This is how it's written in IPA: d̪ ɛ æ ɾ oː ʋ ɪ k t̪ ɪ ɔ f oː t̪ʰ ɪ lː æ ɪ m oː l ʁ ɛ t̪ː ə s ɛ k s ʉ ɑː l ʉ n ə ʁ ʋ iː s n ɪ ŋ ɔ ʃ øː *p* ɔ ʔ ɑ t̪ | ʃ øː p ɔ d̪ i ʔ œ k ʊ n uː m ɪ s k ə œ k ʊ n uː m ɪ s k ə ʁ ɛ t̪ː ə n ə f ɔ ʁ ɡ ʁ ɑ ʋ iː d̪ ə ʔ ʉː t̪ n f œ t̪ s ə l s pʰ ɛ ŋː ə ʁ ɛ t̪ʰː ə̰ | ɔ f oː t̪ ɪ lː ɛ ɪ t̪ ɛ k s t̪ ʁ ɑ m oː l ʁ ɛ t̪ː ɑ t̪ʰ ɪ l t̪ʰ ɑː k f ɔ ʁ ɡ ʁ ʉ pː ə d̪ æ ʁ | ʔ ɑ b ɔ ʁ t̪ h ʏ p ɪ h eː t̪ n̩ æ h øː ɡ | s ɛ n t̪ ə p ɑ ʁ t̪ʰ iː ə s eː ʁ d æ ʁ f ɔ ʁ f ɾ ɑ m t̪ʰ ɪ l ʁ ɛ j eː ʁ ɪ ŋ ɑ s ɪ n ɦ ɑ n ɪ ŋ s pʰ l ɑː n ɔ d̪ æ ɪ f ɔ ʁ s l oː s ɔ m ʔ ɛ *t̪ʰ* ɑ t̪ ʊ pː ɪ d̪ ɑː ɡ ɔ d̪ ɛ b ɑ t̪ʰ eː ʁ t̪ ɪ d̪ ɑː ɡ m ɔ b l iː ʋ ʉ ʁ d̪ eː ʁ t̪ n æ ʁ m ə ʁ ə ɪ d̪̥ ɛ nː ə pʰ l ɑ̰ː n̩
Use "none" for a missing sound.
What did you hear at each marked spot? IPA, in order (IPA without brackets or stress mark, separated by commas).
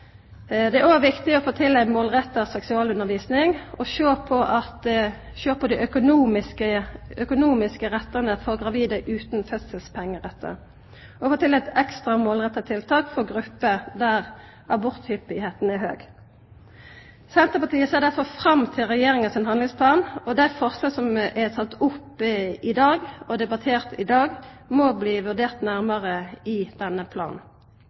pʰ, t̪ʰ